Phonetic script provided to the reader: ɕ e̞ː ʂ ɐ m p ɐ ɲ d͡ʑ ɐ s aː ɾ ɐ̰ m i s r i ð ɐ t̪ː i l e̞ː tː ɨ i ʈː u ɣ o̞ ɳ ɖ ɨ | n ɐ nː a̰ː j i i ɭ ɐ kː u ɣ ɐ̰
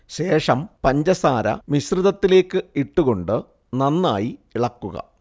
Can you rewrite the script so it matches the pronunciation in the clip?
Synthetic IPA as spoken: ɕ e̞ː ʂ ɐ m p ɐ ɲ d͡ʑ ɐ s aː ɾ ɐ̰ m i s r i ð ɐ t̪ː i l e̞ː kː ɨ i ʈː u ɣ o̞ ɳ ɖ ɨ | n ɐ nː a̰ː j i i ɭ ɐ kː u ɣ ɐ̰